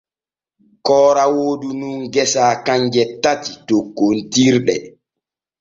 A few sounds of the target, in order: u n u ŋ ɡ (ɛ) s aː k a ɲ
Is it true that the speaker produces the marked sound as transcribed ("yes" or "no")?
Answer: yes